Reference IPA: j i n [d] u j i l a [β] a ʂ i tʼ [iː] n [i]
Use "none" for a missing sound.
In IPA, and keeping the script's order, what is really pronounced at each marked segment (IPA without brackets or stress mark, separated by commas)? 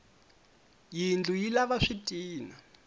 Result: d͡ɮ, β, iː, a